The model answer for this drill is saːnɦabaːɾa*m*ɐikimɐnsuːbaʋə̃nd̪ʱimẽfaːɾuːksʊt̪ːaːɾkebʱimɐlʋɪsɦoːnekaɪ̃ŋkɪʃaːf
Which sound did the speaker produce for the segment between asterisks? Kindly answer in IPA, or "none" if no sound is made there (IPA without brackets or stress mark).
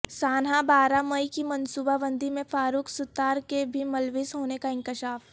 m